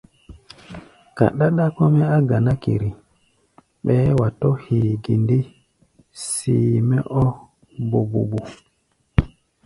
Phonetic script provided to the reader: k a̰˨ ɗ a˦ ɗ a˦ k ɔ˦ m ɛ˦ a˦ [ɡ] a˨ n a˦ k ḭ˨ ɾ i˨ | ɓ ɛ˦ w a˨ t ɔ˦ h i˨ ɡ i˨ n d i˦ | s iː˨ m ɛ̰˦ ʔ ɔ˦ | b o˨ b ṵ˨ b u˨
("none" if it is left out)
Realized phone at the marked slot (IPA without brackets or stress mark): ɡ